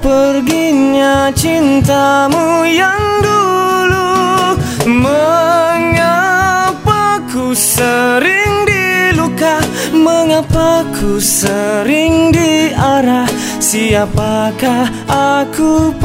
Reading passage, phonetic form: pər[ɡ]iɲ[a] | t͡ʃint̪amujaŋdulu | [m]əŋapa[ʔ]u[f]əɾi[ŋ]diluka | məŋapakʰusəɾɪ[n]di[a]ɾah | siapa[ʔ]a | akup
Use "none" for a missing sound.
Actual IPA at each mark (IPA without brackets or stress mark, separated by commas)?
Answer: ɡ, a, m, k, s, ŋ, ŋ, a, k